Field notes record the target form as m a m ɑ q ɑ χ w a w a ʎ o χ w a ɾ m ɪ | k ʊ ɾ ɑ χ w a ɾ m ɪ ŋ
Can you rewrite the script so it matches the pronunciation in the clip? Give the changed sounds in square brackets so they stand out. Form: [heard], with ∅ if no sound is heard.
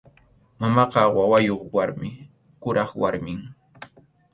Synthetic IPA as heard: m a m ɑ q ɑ [∅] w a w a [j] o χ w a ɾ m ɪ | k ʊ ɾ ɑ χ w a ɾ m ɪ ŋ

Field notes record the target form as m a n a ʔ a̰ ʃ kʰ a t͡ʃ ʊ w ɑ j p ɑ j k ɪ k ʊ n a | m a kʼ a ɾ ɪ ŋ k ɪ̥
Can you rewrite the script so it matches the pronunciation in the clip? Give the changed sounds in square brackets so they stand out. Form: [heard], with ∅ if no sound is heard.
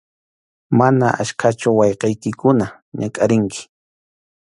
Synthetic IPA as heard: m a n a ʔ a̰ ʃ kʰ a t͡ʃ ʊ w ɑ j [q] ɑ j k ɪ k ʊ n a | [ɲ] a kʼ a ɾ ɪ ŋ k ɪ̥

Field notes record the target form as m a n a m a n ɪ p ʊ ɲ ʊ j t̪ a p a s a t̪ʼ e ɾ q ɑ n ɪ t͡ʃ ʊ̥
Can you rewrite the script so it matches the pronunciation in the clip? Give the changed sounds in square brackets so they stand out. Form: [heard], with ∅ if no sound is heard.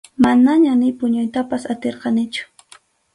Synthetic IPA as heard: m a n a [ɲ] a n ɪ p ʊ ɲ ʊ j t̪ a p a s a [t̪] e ɾ q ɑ n ɪ t͡ʃ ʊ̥

